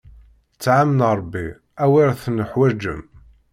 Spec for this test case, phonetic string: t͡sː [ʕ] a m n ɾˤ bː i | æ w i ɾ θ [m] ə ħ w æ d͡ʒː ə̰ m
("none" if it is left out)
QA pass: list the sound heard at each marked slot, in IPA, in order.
ʕ, n

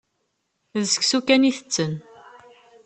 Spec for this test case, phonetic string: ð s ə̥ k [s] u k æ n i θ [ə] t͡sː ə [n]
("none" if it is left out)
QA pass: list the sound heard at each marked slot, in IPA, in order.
s, ə, n

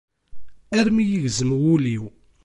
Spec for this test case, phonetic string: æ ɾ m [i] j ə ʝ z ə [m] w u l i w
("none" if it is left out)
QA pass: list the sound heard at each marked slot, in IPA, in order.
i, m

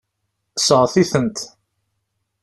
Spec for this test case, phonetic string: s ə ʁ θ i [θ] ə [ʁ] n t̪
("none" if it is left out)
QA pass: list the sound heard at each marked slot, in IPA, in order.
θ, none

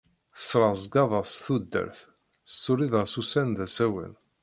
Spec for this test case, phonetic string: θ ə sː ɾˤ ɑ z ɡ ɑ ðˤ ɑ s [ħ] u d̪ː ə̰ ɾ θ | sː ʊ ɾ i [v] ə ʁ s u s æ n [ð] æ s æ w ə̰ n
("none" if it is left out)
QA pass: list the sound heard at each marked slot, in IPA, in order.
θ, ð, ð

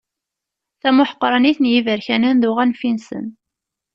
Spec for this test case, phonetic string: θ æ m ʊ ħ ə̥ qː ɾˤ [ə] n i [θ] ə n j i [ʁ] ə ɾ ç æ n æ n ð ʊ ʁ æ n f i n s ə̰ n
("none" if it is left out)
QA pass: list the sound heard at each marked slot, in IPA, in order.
ɑ, θ, v

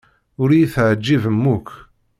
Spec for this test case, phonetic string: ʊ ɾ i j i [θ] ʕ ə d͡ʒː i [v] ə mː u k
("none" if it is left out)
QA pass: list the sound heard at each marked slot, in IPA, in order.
θ, v

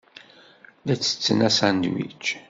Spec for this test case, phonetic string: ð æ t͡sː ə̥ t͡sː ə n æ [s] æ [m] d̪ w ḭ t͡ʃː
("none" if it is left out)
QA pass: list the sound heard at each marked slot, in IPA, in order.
s, n

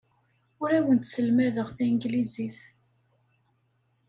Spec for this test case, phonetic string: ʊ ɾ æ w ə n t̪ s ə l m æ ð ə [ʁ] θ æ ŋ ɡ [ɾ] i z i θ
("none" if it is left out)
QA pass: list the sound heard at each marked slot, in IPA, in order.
ʁ, l

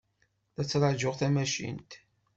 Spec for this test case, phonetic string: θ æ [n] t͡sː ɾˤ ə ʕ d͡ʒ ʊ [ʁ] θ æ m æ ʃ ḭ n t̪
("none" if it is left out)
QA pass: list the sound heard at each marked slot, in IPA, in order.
none, ʁ

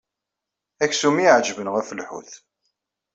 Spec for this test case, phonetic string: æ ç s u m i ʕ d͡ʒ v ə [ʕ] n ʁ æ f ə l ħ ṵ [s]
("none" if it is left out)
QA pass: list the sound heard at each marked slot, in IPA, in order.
none, θ

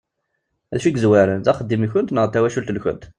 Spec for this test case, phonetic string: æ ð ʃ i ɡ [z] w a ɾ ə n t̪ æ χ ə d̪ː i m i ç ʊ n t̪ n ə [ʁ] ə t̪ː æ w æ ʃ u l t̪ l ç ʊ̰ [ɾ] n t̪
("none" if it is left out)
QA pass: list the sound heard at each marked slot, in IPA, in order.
z, ʁ, none

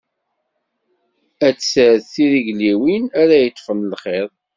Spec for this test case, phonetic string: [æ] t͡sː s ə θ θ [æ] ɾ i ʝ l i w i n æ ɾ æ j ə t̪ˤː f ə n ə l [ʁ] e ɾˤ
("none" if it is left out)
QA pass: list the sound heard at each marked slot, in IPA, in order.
æ, i, χ

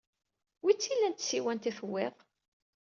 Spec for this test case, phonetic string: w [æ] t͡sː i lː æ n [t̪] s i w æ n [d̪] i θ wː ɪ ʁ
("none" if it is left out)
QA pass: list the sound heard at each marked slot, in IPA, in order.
i, t̪, t̪

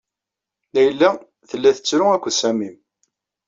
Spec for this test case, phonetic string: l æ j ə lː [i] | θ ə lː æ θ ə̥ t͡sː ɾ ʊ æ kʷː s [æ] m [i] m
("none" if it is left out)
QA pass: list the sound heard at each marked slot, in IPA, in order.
æ, æ, i

